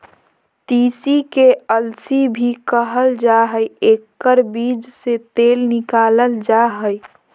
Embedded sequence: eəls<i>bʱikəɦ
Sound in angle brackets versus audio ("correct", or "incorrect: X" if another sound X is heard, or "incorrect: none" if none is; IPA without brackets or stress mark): correct